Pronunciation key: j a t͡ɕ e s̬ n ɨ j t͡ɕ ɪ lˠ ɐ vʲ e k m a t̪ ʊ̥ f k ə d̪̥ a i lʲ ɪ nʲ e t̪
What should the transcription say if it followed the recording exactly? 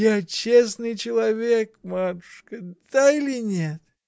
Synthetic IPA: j a t͡ɕ e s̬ n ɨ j t͡ɕ ɪ lˠ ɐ vʲ e k m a t̪ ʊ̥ ʂ k ə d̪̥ a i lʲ ɪ nʲ e t̪

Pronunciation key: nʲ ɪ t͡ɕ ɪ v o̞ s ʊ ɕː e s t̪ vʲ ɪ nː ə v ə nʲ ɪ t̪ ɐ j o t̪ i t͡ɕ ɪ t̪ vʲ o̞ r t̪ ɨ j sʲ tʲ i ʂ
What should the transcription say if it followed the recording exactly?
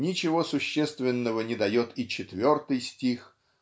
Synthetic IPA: nʲ ɪ t͡ɕ ɪ v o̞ s ʊ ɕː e s t̪ vʲ ɪ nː ə v ə nʲ ɪ d̪ ɐ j o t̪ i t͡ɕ ɪ t̪ vʲ o̞ r t̪ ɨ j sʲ tʲ i x

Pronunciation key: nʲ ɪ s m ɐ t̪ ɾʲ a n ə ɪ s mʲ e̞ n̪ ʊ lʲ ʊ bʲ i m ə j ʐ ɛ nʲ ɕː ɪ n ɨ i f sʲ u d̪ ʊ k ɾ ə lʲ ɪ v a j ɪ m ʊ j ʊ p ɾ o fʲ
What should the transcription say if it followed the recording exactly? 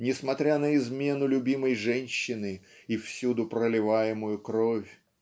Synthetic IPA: nʲ ɪ s m ɐ t̪ ɾʲ a n ə ɪ z mʲ e̞ n̪ ʊ lʲ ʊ bʲ i m ə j ʐ ɛ nʲ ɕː ɪ n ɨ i f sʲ u d̪ ʊ p ɾ ə lʲ ɪ v a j ɪ m ʊ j ʊ k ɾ o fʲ

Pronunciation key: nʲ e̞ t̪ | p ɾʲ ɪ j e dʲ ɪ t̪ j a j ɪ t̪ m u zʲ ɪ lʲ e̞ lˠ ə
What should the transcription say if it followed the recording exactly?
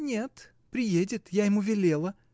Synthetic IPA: nʲ e̞ t̪ | p ɾʲ ɪ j e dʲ ɪ t̪ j a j ɪ m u vʲ ɪ lʲ e̞ lˠ ə

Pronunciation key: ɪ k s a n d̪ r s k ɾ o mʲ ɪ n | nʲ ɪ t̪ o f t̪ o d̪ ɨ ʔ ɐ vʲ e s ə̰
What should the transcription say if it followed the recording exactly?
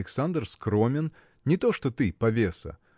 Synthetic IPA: ɪ k s a n d̪ r s k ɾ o mʲ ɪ n | nʲ ɪ t̪ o ʂ t̪ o t̪ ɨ p ɐ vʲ e s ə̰

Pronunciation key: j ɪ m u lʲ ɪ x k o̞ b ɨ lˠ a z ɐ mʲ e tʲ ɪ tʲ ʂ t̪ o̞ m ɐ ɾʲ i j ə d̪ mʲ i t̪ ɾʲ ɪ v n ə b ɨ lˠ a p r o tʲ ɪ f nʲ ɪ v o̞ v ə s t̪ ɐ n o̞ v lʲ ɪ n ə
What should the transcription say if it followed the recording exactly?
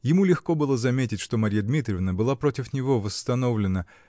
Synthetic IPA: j ɪ m u lʲ ɪ x k o̞ b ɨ lˠ ə z ɐ mʲ e tʲ ɪ tʲ ʂ t̪ o̞ m ɐ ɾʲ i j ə d̪ mʲ i t̪ ɾʲ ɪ v n ə b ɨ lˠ a p ɾ o tʲ ɪ f nʲ ɪ v o̞ v ə s t̪ ɐ n o̞ v lʲ ɪ n ə

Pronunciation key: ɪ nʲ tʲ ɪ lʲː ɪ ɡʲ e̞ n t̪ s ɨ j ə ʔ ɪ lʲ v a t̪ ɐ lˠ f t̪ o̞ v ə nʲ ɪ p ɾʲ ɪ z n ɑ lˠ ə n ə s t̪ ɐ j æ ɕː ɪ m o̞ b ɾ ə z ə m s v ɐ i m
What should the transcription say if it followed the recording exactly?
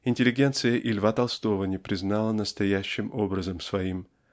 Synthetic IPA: ɪ nʲ tʲ ɪ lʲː ɪ ɡʲ e̞ n t̪ s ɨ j ə ʔ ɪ lʲ v a t̪ ɐ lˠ s t̪ o̞ v ə nʲ ɪ p ɾʲ ɪ z n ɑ lˠ ə n ə s t̪ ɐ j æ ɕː ɪ m o̞ b ɾ ə z ə m s v ɐ i m

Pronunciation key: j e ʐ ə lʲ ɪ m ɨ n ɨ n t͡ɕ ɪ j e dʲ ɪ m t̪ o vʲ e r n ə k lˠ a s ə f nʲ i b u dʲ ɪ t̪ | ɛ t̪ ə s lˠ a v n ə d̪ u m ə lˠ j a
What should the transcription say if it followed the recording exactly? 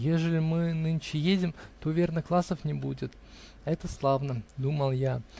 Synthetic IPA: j e ʐ ə lʲ ɪ m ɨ n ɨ n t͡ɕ ɪ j e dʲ ɪ m t̪ o vʲ e r n ə k lˠ a s ə f nʲ ɪ b u dʲ ɪ t̪ | ɛ t̪ ə s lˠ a v n ə d̪ u m ə lˠ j a

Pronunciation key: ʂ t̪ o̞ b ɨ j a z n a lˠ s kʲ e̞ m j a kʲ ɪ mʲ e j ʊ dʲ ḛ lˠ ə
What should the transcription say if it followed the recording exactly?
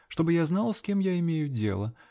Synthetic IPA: ʂ t̪ o̞ b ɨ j a z n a lˠ s kʲ e̞ m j a ɪ mʲ e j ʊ dʲ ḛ lˠ ə

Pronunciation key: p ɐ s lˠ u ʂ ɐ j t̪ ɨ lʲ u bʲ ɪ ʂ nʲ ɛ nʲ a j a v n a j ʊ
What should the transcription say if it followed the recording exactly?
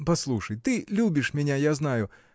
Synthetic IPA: p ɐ s lˠ u ʂ ɐ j t̪ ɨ lʲ u bʲ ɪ ʂ mʲ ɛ nʲ a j a z n a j ʊ

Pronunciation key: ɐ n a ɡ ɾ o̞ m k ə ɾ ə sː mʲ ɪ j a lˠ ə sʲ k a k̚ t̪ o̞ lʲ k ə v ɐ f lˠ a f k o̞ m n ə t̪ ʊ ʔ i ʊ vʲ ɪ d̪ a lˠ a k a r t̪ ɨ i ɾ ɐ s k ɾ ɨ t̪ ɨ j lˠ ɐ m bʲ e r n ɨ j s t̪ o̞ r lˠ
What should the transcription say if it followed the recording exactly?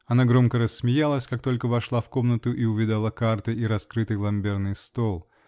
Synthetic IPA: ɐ n a ɡ ɾ o̞ m k ə ɾ ə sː mʲ ɪ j a lˠ ə sʲ k a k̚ t̪ o̞ lʲ k ə v ɐ ʂ lˠ a f k o̞ m n ə t̪ ʊ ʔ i ʊ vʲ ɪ d̪ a lˠ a k a r t̪ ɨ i ɾ ɐ s k ɾ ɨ t̪ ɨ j lˠ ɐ m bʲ e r n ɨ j s t̪ o̞ lˠ

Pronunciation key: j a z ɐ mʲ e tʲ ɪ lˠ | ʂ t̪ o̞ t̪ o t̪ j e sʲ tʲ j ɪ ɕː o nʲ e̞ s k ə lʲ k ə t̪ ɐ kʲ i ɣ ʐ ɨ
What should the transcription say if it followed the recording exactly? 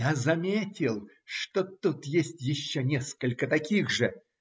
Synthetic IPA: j a z ɐ mʲ e tʲ ɪ lˠ | ʂ t̪ o̞ t̪ u t̪ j e sʲ tʲ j ɪ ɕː o nʲ e̞ s k ə lʲ k ə t̪ ɐ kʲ i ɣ ʐ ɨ

